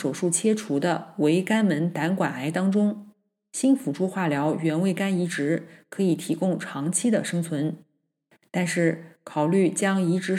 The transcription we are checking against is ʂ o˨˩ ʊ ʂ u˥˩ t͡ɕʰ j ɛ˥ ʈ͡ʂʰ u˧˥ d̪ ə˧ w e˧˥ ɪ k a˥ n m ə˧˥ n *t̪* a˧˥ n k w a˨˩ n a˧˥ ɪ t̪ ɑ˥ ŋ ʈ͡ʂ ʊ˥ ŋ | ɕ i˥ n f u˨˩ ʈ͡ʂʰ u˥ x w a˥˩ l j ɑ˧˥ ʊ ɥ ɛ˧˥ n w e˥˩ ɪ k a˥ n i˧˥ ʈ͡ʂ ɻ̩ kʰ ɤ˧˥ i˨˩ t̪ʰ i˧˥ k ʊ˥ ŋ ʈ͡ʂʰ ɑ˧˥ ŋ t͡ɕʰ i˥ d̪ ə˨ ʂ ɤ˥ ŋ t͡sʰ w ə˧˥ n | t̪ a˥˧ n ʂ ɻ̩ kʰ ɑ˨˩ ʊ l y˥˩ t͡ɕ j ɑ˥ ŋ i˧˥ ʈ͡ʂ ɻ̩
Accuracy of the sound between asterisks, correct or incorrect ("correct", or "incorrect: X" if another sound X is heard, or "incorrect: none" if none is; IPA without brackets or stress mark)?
correct